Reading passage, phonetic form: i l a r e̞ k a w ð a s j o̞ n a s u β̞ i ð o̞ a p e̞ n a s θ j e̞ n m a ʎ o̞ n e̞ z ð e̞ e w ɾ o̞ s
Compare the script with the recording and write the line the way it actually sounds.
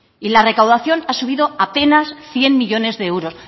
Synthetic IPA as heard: i l a r e̞ k a w ð a θ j o̞ n a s u β̞ i ð o̞ a p e̞ n a s θ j e̞ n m i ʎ o̞ n e̞ z ð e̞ e w ɾ o̞ s